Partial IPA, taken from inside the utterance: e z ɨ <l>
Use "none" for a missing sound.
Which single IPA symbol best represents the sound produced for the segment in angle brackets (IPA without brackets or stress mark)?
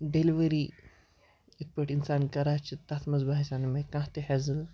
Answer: l